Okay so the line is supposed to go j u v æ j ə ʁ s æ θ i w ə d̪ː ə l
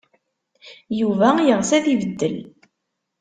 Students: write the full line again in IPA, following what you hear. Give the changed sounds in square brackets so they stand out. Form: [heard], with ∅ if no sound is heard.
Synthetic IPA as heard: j u v æ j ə ʁ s æ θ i [v] ə d̪ː ə l